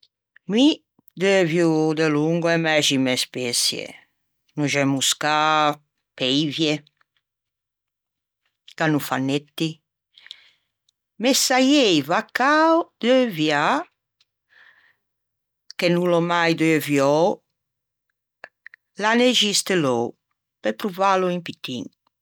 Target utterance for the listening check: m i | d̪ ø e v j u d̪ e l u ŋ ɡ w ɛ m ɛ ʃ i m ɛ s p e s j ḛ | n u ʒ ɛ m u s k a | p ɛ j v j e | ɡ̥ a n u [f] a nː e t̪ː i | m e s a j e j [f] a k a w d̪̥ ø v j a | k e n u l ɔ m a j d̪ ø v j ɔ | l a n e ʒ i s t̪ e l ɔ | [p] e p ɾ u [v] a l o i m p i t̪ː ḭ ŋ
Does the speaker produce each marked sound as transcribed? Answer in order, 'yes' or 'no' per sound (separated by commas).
yes, no, yes, yes